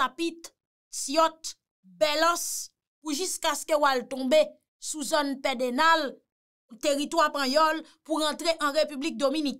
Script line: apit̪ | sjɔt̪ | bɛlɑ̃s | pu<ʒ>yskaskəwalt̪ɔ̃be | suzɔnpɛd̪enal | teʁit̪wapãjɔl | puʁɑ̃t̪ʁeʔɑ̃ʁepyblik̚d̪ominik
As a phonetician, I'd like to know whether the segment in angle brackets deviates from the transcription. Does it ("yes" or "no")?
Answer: no